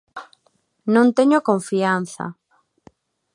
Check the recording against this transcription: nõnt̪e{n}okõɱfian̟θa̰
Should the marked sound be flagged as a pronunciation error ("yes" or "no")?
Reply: yes